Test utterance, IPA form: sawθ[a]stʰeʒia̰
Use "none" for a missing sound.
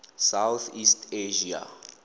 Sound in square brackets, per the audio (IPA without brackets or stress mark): i